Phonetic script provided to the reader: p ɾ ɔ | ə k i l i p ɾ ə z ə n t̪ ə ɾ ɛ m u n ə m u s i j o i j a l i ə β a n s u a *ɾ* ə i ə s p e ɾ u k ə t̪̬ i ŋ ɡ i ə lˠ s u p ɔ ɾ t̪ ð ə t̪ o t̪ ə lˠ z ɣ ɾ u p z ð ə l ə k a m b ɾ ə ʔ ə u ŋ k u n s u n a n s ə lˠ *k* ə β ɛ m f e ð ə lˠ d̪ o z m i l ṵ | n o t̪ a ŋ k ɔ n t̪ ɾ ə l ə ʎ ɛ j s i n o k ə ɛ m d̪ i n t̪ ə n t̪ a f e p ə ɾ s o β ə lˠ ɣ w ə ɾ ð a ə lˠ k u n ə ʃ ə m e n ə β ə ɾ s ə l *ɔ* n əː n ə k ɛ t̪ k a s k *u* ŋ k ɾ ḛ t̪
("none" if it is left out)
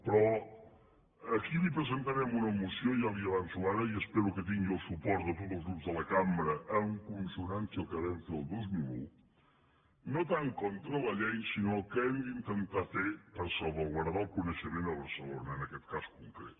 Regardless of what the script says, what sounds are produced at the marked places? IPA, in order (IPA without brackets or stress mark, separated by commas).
ɾ, k, o, u